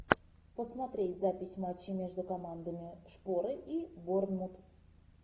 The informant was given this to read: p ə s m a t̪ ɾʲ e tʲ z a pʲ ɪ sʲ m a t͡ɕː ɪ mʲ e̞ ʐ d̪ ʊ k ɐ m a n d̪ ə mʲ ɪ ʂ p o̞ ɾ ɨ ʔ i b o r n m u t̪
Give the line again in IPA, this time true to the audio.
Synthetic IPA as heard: p ə s m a t̪ ɾʲ e tʲ z a pʲ ɪ sʲ m a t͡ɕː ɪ mʲ e̞ ʐ d̪ ʊ k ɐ m a n d̪ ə mʲ ɪ ʂ p o̞ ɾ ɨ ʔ i b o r n m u t̪